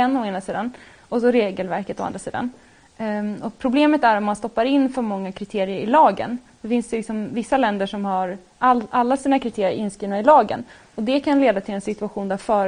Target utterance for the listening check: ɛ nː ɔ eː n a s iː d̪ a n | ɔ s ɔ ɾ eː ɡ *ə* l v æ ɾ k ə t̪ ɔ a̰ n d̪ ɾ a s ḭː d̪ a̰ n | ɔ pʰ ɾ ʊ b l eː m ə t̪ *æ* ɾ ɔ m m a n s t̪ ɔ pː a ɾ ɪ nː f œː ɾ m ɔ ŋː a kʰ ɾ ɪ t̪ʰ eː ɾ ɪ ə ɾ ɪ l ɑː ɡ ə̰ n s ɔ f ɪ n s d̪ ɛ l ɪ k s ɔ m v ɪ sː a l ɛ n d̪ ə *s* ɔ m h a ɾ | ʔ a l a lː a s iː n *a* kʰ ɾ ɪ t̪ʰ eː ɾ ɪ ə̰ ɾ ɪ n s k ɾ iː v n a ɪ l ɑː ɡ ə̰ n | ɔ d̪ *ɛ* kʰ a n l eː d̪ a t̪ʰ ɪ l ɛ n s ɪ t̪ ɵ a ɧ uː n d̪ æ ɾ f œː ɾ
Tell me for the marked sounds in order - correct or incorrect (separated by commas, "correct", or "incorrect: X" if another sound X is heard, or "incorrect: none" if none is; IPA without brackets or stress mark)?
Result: correct, correct, incorrect: ʂ, correct, correct